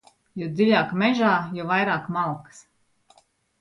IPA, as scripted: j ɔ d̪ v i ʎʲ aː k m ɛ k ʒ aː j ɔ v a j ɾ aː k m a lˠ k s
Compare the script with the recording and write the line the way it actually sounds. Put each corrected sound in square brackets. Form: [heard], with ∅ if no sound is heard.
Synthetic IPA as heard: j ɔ d̪ [z] i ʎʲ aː k m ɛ [∅] ʒ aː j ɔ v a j ɾ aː k m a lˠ k s